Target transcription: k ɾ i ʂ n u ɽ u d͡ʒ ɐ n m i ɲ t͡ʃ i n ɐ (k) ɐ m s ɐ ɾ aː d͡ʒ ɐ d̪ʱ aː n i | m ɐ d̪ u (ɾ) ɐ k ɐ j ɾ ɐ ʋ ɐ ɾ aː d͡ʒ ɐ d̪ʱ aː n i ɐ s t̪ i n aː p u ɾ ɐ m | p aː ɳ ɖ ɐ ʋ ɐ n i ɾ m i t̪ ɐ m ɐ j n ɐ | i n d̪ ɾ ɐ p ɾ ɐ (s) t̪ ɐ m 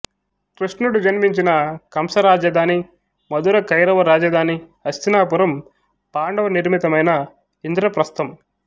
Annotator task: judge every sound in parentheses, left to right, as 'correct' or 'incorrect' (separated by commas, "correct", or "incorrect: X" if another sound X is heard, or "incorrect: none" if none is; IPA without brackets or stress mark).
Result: correct, correct, correct